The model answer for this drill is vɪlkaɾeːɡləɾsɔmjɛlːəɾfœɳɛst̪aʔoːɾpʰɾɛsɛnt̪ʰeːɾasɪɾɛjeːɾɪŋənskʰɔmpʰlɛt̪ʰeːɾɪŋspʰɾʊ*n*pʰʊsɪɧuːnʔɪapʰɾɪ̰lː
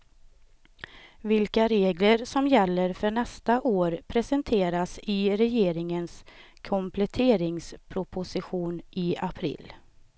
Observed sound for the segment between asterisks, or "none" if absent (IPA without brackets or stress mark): none